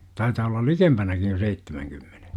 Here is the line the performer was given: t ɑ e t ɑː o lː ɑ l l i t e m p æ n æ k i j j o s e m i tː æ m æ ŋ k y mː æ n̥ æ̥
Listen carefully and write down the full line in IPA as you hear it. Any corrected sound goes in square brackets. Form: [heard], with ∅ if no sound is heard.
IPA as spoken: t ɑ [i] t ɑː o lː ɑ l l i [k] e m p æ n æ k i j j o s e [∅] i tː [e] m æ ŋ k y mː [e] n̥ [e̥]